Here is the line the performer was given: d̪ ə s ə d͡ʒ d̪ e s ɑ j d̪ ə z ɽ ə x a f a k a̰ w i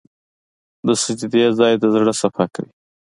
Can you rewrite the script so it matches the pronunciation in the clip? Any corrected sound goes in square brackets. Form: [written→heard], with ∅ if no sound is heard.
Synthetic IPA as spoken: d̪ ə s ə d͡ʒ d̪ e [s→z] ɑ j d̪ ə z ɽ ə [x→s] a f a k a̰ w i

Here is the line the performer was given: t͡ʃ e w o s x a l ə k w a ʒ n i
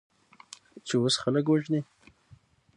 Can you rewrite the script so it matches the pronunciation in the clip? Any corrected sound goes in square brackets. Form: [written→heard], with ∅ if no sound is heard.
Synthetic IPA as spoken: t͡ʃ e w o s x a l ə k w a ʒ n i

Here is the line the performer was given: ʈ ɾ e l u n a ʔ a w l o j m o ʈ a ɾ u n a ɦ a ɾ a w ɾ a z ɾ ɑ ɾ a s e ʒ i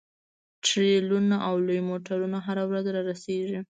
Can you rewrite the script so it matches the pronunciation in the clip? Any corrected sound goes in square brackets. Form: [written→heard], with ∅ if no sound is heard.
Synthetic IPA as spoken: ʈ ɾ e l u n a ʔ a w l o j m o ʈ a ɾ u n a ɦ a ɾ a w ɾ a z ɾ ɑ ɾ a s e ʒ i

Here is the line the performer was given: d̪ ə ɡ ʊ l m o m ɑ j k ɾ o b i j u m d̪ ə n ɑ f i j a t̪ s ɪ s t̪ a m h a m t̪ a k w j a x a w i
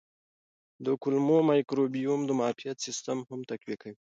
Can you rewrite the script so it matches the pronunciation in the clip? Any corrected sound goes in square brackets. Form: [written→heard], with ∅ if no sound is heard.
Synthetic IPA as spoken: d̪ ə [ɡ→k] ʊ l m o m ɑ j k ɾ o b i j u m d̪ ə [n→m] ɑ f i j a t̪ s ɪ s t̪ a m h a m t̪ a k w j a [x→k] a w i

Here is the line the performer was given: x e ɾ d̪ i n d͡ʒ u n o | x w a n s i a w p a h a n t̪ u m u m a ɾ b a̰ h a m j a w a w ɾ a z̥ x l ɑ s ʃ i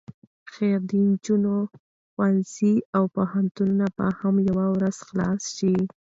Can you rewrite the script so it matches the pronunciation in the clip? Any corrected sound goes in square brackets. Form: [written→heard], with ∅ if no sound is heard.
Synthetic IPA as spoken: x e ɾ d̪ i n d͡ʒ u n o | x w a n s i a w p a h a n t̪ u [m→n] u [m→n] a [ɾ→∅] b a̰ h a m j a w a w ɾ a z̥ x l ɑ s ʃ i

